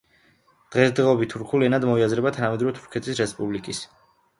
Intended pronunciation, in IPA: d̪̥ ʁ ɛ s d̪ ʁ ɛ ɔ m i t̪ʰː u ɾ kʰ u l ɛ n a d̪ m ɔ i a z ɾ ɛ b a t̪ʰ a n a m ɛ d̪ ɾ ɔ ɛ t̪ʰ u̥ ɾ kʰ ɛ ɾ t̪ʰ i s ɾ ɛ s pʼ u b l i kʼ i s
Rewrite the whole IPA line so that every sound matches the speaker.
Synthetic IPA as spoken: d̪̥ ʁ ɛ s d̪ ʁ ɛ ɔ b i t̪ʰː u ɾ kʰ u l ɛ n a d̪ m ɔ i a z ɾ ɛ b a t̪ʰ a n a m ɛ d̪ ɾ ɔ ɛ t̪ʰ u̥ ɾ kʰ ɛ t̪ʰ i s ɾ ɛ s pʼ u b l i kʼ i s